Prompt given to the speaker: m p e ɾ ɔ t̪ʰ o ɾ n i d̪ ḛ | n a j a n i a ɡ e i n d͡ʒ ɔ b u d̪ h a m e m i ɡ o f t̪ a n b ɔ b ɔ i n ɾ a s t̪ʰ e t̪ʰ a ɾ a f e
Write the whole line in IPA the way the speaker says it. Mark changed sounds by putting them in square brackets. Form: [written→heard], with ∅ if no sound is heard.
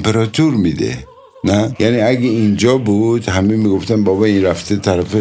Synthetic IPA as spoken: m p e ɾ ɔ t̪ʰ [o→u] ɾ [n→m] i d̪ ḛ | n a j a n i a ɡ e i n d͡ʒ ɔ b u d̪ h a m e m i ɡ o f t̪ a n b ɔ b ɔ i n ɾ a [s→f] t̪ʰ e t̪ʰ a ɾ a f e